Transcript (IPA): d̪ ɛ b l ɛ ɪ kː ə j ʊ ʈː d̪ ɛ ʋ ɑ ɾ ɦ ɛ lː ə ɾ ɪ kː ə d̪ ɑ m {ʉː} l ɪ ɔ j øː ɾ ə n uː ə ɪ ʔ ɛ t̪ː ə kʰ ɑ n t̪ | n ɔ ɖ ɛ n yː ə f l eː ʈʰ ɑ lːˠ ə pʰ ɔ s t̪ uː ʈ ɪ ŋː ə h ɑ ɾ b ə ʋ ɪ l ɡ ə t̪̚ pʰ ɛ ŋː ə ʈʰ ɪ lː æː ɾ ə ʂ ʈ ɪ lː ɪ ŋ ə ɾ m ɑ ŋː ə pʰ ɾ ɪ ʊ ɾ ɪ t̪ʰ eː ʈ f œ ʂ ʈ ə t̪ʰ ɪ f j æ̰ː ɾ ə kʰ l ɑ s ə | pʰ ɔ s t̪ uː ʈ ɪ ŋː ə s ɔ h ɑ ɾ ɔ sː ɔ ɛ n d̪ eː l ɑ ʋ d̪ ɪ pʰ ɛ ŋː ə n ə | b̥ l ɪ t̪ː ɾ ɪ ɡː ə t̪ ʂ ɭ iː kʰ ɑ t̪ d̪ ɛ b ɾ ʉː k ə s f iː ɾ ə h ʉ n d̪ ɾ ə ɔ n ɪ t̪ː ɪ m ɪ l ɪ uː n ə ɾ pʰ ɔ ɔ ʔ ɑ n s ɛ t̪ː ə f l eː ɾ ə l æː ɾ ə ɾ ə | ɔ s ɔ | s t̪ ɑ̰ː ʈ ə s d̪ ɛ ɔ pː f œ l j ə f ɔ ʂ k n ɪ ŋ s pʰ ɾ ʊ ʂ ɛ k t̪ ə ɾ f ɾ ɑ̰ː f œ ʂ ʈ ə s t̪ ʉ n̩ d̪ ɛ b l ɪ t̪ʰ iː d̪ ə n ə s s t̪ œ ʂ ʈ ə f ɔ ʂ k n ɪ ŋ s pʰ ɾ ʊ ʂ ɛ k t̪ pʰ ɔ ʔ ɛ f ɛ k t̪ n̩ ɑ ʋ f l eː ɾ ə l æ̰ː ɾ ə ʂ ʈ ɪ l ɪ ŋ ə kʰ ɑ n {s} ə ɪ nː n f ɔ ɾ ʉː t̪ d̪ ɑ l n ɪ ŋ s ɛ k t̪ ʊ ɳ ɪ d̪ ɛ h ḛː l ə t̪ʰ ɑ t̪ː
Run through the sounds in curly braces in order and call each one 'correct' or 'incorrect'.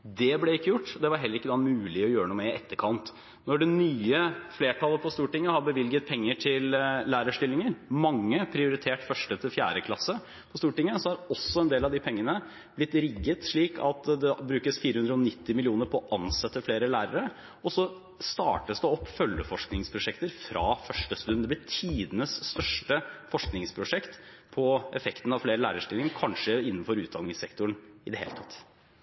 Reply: correct, incorrect: ʂ

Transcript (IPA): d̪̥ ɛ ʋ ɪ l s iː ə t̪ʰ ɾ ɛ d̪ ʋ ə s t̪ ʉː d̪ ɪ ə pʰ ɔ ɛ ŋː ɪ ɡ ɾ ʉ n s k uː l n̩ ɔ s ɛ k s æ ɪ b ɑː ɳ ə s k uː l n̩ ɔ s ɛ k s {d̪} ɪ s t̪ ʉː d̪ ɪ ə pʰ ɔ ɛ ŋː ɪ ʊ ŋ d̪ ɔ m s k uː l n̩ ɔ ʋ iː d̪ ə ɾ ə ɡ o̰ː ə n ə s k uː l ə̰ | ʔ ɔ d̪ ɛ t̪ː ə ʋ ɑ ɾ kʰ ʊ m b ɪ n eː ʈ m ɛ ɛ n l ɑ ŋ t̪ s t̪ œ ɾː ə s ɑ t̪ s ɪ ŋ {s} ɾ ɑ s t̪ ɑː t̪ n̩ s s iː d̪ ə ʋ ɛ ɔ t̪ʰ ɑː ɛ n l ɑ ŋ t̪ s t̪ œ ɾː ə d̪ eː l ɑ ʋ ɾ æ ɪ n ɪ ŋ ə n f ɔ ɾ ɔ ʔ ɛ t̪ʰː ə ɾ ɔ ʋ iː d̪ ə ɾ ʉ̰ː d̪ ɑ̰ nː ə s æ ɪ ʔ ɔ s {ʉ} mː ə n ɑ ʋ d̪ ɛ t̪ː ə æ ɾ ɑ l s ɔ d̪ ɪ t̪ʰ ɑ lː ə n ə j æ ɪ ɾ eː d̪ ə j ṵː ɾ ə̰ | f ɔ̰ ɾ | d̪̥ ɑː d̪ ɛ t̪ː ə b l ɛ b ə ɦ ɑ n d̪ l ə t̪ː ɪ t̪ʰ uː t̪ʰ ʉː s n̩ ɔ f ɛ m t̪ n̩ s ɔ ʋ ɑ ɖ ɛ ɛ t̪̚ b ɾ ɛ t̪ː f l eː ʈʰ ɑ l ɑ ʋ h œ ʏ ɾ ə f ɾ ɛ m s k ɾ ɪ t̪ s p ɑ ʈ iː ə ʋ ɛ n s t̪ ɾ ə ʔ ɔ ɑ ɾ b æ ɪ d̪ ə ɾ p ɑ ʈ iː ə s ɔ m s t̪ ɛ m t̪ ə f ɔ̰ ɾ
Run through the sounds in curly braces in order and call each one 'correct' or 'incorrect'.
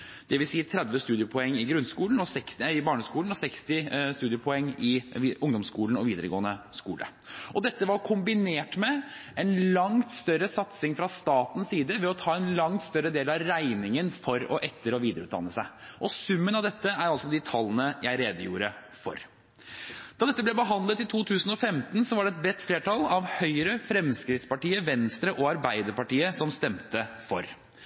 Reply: incorrect: t̪, incorrect: f, correct

